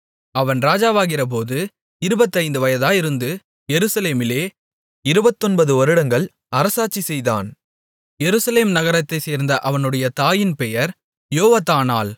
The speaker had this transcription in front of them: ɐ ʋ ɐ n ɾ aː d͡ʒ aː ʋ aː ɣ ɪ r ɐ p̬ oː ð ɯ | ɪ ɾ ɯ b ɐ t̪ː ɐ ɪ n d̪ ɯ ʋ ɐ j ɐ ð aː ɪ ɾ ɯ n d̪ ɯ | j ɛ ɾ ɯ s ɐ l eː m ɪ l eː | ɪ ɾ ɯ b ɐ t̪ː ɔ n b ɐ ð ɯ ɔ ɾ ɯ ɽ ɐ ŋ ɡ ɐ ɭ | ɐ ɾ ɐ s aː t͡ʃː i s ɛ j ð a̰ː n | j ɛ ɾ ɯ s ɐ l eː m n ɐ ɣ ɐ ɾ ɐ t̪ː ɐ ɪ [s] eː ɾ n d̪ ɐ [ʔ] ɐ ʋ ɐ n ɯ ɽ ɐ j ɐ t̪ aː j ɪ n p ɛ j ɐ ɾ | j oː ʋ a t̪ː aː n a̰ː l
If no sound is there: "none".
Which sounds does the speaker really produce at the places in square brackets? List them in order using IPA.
s, ʔ

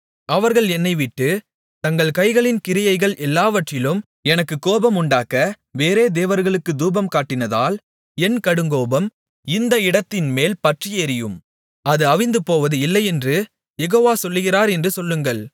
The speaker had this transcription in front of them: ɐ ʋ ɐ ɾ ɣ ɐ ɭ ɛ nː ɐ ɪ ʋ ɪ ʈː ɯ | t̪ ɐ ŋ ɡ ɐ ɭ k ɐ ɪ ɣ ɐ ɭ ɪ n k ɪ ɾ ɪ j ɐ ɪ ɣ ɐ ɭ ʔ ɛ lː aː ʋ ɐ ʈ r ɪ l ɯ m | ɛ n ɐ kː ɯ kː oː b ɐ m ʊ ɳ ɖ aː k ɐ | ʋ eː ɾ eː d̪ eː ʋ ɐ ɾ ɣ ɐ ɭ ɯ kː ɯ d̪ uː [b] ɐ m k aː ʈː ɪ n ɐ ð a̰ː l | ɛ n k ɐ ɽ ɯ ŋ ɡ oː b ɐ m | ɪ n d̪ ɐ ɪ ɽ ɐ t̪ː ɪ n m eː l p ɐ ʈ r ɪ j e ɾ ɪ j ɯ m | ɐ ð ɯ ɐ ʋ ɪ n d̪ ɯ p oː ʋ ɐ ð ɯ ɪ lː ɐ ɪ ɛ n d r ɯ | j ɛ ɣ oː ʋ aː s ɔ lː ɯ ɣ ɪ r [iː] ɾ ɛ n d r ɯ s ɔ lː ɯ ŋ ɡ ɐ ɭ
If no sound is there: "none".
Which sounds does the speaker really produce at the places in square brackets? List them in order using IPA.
b, aː

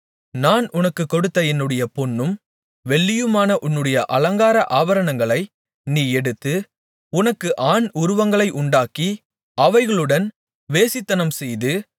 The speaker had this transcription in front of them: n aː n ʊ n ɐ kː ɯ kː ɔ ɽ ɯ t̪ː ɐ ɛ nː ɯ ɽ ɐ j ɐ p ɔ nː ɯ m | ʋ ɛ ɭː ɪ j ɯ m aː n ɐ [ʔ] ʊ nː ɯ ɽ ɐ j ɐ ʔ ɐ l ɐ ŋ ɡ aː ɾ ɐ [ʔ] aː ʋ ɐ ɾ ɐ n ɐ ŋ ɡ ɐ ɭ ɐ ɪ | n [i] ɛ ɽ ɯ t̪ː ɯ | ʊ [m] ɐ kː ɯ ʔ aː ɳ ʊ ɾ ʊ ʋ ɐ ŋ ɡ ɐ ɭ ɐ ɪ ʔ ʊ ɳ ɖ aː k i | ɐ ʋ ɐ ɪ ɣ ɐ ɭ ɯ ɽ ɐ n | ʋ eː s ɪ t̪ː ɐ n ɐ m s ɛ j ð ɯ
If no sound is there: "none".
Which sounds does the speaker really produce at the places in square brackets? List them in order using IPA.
ʔ, ʔ, iː, n

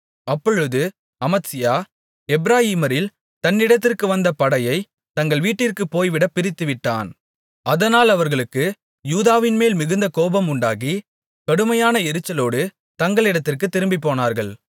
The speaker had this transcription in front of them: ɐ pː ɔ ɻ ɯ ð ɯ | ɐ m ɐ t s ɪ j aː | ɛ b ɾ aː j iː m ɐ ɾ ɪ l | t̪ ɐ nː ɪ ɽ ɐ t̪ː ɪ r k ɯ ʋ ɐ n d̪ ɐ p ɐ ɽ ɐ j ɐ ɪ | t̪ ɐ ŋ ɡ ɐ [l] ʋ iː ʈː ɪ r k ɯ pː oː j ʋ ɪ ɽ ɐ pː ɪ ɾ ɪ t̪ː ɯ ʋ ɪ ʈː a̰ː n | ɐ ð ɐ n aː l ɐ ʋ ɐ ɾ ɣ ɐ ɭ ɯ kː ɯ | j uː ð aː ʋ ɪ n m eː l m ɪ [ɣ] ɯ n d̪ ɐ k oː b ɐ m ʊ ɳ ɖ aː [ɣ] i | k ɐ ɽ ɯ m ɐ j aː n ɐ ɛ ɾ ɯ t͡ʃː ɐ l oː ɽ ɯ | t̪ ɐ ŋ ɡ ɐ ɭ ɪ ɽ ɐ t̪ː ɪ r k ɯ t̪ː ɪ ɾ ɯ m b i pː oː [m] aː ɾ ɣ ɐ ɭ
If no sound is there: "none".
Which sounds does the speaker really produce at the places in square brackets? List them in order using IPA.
ɭ, ɣ, ɣ, n

